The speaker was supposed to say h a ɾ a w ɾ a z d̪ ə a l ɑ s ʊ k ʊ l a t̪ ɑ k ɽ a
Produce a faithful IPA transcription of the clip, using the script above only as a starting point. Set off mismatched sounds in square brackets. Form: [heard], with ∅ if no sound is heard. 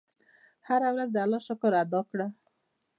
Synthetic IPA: h a ɾ a w ɾ a z d̪ ə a l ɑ [ʃ] ʊ k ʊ [ɾ] a [d̪] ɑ k ɽ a